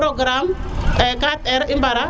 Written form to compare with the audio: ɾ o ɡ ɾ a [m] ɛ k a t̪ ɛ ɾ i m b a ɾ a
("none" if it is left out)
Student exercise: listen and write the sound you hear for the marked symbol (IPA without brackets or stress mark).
m